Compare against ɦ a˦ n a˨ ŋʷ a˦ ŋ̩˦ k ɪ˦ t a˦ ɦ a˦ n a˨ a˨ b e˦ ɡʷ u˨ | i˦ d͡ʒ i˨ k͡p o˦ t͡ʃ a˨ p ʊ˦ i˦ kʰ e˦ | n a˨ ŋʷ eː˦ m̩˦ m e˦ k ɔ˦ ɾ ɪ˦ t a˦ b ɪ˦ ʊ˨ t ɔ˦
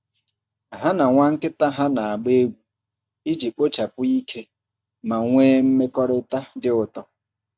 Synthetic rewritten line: ɦ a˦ n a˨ ŋʷ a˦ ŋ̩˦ k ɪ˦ t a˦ ɦ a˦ n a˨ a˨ ɡ͡b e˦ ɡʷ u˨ | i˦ d͡ʒ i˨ k͡p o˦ t͡ʃ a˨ p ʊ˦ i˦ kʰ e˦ | m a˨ ŋʷ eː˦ m̩˦ m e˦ k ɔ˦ ɾ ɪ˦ t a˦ d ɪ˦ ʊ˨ t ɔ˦